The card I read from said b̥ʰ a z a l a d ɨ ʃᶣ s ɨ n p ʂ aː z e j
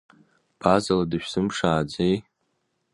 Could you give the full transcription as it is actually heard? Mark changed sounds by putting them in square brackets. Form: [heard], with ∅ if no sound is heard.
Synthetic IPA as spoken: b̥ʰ a z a l a d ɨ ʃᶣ s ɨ [m] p ʂ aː [d͡z] e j